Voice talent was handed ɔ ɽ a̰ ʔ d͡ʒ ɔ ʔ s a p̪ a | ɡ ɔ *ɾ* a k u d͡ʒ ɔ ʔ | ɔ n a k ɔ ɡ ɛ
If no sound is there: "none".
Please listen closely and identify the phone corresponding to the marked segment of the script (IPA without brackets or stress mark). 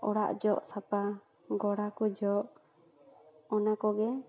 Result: ɽ